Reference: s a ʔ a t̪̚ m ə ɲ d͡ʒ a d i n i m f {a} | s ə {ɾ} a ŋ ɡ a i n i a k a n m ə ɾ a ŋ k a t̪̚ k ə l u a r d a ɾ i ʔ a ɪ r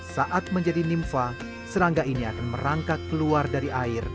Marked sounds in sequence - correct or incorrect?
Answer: correct, correct

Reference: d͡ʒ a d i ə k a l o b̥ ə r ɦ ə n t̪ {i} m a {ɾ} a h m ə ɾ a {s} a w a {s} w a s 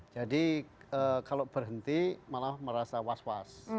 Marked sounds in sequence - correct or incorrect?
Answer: correct, incorrect, correct, correct

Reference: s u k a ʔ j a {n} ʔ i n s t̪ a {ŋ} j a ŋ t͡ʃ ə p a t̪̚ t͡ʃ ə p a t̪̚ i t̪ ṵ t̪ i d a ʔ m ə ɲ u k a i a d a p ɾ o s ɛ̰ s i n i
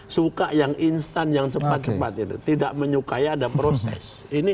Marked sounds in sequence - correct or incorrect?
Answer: incorrect, incorrect

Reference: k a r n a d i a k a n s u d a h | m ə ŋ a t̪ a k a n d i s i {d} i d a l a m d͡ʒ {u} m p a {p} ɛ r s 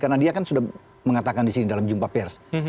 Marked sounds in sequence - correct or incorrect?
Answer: incorrect, correct, correct

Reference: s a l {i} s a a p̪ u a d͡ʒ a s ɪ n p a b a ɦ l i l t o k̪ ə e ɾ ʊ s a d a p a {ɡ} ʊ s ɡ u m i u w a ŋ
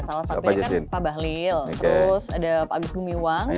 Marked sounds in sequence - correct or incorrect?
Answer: incorrect, correct

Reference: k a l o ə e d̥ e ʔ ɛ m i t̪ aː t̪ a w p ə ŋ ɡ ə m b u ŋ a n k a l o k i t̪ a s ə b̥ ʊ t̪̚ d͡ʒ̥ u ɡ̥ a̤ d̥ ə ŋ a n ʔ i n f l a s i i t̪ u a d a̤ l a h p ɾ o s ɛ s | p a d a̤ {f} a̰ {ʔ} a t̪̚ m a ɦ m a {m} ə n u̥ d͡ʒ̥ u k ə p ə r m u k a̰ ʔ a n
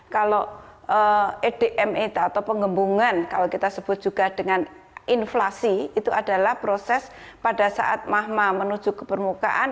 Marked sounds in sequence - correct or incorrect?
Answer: incorrect, correct, correct

